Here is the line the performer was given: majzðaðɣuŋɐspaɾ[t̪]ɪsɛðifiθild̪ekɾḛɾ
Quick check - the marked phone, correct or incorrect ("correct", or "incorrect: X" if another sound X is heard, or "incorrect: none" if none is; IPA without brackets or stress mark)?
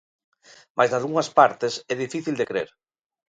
correct